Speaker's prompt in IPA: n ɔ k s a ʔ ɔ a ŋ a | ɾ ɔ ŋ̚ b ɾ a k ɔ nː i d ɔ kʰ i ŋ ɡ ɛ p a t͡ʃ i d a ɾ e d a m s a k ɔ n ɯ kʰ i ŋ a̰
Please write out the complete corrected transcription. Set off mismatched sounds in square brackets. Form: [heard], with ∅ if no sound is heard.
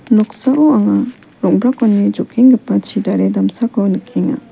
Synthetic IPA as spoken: n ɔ k s a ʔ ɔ a ŋ a | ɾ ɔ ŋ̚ b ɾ a k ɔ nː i [d͡ʒ] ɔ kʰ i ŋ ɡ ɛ p a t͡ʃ i d a ɾ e d a m s a k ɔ n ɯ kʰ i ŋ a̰

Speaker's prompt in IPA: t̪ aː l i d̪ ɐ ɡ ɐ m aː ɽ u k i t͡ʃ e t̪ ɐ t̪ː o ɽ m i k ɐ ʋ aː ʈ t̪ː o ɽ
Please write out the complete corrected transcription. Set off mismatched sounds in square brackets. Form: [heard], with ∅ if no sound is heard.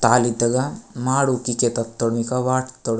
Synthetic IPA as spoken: t̪ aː l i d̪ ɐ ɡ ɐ m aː ɽ u k i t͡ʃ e t̪ ɐ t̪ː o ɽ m i k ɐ ʋ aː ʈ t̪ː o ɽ

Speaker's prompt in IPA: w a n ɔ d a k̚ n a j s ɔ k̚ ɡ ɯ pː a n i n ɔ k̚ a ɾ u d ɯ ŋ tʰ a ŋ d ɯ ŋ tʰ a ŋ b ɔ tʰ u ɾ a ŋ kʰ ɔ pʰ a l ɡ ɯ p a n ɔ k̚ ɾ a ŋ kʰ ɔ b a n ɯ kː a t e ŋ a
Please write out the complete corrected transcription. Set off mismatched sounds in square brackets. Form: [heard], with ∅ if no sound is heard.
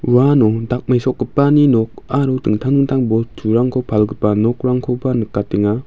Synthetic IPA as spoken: w a n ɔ d a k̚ [m] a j s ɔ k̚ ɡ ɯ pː a n i n ɔ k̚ a ɾ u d ɯ ŋ tʰ a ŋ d ɯ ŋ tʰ a ŋ b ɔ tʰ u ɾ a ŋ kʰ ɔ pʰ a l ɡ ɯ p a n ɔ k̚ ɾ a ŋ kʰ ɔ b a n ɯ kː a t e ŋ a

